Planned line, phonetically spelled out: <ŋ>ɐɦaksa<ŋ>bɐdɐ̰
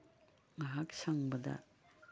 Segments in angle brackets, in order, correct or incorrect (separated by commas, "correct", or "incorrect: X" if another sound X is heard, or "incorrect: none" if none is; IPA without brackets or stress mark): correct, correct